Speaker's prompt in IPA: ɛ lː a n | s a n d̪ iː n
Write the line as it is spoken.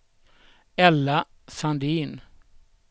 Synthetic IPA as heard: ɛ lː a | s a n d̪ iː n

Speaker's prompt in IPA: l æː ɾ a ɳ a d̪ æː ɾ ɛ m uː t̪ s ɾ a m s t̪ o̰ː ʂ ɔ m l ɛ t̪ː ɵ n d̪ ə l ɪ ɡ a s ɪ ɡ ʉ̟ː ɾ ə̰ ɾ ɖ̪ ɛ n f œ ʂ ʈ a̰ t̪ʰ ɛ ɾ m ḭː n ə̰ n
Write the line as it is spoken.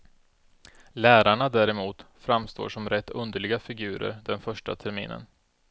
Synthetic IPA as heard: l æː ɾ a ɳ a d̪ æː ɾ ɛ m uː t̪ f ɾ a m s t̪ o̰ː ʂ ɔ m ɾ ɛ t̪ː ɵ n d̪ ə ɭ ɪ ɡ a f ɪ ɡ ʉ̟ː ɾ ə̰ ɾ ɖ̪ ɛ n f œ ʂ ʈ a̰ t̪ʰ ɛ ɾ m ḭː n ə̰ n

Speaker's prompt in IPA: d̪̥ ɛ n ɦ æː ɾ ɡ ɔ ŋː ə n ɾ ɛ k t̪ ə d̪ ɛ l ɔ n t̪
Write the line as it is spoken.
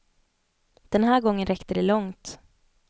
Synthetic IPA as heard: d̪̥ ɛ n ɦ æː ɾ ɡ ɔ ŋː ə n ɾ ɛ k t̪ ə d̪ ɛ l ɔ ŋ t̪

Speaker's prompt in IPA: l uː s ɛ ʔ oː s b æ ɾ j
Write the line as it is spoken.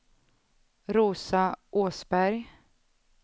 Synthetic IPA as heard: ɾ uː s a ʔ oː s b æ ɾ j

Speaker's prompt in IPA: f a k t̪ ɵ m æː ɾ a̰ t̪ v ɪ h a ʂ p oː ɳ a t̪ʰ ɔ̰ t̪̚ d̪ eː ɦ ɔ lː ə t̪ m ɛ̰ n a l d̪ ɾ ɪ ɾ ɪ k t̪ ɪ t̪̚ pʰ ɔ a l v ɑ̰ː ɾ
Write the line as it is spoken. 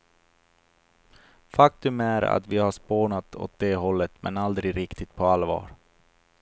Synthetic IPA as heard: f a k t̪ ɵ m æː ɾ a̰ t̪ v ɪ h a ʂ p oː ɳ a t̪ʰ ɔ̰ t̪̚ d̪ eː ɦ ɔ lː ə t̪ m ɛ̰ n a l d̪ ɾ ɪ ɾ ɪ k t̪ ɪ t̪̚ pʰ ɔ a l v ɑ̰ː ɾ

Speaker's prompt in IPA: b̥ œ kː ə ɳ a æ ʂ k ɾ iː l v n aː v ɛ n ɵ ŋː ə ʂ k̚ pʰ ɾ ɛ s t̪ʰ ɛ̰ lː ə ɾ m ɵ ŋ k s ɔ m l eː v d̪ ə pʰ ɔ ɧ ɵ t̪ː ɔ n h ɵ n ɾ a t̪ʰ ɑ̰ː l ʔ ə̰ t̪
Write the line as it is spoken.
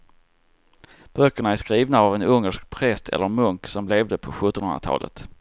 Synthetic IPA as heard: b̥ œ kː ə ɳ a æ ʂ k ɾ iː v n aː v ɛ n ɵ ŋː ə ʂ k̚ pʰ ɾ ɛ s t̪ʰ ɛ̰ lː ə ɾ m ɵ ŋ k s ɔ m l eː v d̪ ə pʰ ɔ ɧ ɵ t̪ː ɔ n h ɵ n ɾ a t̪ʰ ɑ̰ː l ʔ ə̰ t̪

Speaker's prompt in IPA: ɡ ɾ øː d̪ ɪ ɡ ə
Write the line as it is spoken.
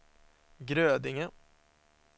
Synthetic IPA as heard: ɡ ɾ øː d̪ ɪ ŋ ə

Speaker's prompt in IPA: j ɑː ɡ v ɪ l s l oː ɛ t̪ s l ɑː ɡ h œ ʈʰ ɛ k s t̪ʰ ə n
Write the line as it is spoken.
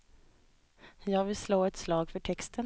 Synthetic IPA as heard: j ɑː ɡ v ɪ l s l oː ɛ t̪ s l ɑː ɡ f œ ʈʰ ɛ k s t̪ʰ ə n

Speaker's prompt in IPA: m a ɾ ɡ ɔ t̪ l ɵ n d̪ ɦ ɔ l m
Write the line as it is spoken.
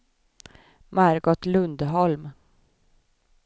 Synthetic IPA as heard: m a ɾ ɡ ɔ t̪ l ɵ n d̪ ɦ ɔ l m

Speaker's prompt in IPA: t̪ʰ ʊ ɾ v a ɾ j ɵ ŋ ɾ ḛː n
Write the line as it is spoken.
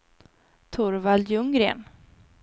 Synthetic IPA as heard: t̪ʰ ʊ ɾ v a l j ɵ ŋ ɾ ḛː n

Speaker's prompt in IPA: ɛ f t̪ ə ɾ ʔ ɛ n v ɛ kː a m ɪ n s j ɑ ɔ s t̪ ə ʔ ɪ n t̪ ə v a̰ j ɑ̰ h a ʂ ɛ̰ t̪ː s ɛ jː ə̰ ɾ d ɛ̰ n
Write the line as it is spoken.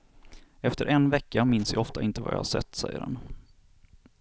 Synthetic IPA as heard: ɛ f t̪ ə ɾ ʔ ɛ n v ɛ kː a m ɪ n s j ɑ ɔ f t̪ a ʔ ɪ n t̪ ə v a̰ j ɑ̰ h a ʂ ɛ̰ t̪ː s ɛ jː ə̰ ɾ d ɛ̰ n

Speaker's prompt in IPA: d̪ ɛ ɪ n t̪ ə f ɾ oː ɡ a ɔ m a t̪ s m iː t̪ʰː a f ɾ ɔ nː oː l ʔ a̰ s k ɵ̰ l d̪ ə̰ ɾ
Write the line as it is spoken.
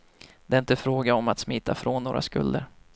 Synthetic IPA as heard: d̪ ɛ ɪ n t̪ ə f ɾ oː ɡ a ɔ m a t̪ s m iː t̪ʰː a f ɾ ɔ nː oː ɾ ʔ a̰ s k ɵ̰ l d̪ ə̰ ɾ

